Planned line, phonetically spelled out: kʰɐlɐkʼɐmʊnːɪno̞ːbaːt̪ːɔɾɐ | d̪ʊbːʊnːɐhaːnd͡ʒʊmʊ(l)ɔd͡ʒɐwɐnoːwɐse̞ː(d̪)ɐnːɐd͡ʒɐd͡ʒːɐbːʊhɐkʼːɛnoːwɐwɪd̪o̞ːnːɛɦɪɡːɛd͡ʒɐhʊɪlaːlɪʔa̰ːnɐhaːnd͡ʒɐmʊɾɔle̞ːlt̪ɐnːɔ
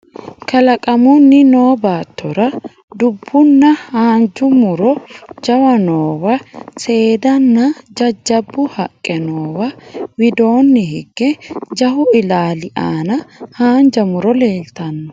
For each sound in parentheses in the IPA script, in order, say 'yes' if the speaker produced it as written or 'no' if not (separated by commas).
no, yes